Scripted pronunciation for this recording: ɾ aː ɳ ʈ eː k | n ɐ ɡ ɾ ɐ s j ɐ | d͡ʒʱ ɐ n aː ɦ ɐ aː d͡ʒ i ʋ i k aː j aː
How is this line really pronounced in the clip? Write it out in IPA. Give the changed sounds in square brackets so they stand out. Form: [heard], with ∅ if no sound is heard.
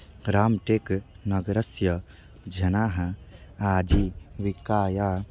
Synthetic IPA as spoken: ɾ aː [m] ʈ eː k | n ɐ ɡ ɾ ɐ s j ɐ | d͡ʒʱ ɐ n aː ɦ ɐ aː d͡ʒ i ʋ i k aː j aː